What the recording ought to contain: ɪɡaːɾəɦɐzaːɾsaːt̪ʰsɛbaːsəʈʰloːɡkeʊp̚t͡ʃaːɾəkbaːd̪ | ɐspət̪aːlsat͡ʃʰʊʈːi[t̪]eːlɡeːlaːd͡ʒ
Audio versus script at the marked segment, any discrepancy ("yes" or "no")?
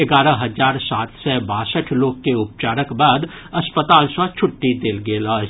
yes